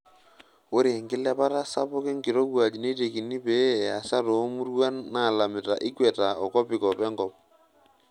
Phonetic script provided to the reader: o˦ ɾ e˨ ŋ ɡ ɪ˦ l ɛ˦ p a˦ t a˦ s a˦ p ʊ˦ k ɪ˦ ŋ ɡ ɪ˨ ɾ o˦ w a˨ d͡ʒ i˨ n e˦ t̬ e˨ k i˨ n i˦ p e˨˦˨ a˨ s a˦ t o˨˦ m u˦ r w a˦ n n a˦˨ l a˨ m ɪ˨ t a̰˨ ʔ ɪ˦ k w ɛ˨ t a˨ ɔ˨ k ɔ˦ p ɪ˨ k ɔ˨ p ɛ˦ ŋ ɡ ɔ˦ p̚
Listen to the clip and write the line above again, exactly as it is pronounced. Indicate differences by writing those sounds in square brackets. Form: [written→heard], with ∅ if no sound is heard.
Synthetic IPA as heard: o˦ ɾ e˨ ŋ ɡ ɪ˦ l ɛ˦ p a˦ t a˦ s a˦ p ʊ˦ k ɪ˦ ŋ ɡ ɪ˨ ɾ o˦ w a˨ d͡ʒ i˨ n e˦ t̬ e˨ k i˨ n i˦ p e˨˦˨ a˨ s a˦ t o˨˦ m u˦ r w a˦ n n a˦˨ l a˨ m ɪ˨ t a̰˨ ʔ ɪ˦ k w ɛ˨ t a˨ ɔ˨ k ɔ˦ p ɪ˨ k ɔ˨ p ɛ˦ ŋ ɡ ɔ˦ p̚